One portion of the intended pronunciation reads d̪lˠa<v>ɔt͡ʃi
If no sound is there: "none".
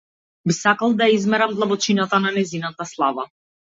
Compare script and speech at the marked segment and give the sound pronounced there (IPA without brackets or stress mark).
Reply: b